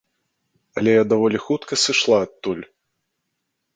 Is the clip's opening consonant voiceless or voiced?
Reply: voiced